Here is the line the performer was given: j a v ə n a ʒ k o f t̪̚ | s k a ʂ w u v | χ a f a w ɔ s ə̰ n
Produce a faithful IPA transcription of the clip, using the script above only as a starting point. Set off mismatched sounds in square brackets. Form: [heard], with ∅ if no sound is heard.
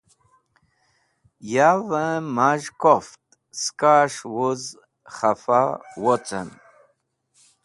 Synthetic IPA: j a v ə [m] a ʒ k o f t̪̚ | s k a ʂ w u [z] | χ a f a w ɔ [t͡s] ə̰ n